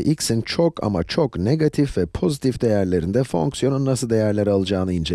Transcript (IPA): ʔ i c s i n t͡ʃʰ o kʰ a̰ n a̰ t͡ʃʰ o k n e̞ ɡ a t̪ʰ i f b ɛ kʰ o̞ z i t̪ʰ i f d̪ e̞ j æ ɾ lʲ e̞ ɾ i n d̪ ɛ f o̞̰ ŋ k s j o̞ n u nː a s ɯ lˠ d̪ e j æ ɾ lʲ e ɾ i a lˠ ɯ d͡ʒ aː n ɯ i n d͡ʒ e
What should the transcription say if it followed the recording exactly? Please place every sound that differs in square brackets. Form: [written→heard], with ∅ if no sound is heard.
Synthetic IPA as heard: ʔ i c s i n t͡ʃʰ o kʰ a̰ [n→m] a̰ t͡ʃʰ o k n e̞ ɡ a t̪ʰ i f [b→v] ɛ [kʰ→pʰ] o̞ z i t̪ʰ i f d̪ e̞ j æ ɾ lʲ e̞ ɾ i n d̪ ɛ f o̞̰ ŋ k s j o̞ n u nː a s ɯ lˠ d̪ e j æ ɾ lʲ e ɾ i a lˠ ɯ d͡ʒ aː n ɯ i n d͡ʒ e